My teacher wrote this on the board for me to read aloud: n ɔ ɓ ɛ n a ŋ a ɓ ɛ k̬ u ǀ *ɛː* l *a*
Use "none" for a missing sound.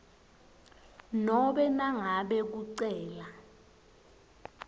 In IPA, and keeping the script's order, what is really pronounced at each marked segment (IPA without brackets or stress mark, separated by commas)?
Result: ɛː, a